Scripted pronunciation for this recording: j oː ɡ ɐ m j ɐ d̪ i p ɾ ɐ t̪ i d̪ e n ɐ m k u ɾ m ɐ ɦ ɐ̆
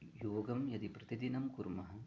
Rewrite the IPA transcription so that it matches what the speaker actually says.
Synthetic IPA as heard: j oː ɡ ɐ m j ɐ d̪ i p ɾ ɐ t̪ i d̪ i n ɐ m k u ɾ m ɐ ɦ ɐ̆